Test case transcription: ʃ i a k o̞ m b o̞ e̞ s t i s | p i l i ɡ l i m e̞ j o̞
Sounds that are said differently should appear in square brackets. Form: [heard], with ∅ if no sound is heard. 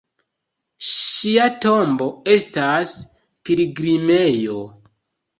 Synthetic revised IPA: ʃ i a [t] o̞ m b o̞ e̞ s t [a] s | p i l i ɡ [ɾ] i m e̞ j o̞